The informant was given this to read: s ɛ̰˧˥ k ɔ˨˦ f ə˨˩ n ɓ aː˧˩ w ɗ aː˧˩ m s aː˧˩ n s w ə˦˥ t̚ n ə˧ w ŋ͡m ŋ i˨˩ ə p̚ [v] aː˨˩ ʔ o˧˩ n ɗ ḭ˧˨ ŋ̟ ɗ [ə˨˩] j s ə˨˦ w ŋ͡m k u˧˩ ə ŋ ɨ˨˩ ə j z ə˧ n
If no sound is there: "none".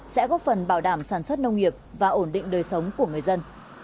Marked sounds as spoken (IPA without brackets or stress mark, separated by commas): v, əː˨˩